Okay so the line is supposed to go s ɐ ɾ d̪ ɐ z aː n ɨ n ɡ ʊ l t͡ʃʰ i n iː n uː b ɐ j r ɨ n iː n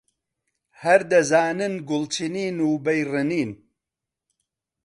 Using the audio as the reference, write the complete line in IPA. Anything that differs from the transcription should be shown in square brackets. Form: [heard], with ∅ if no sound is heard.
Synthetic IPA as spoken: [h] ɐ ɾ d̪ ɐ z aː n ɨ n ɡ ʊ l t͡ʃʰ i n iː n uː b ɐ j r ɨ n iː n